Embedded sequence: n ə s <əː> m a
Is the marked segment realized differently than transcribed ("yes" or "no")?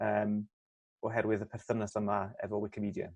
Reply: yes